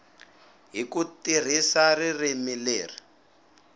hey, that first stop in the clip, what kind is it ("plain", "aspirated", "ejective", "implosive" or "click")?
plain